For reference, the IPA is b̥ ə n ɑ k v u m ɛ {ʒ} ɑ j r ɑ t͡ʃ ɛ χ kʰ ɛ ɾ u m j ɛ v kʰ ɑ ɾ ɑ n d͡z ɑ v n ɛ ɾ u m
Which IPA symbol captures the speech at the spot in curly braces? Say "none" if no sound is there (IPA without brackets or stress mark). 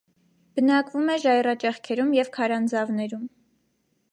ʒ